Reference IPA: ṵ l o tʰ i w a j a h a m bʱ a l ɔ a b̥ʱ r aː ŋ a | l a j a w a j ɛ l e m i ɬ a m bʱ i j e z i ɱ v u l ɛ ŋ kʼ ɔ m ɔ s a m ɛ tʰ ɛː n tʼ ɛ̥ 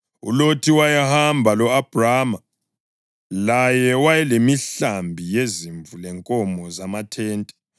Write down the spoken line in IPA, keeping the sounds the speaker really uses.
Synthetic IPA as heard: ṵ l o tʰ i w a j a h a m bʱ a l ɔ a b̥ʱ r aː m a | l a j ɛ w a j ɛ l e m i ɬ a m bʱ i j e z i ɱ v u l ɛ ŋ kʼ ɔ m ɔ z a m a tʰ ɛː n tʼ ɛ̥